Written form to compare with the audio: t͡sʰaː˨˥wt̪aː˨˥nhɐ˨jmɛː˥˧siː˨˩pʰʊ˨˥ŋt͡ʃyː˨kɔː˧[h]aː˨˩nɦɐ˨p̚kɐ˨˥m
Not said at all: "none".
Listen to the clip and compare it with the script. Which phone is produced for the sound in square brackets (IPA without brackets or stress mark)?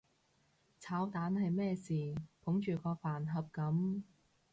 f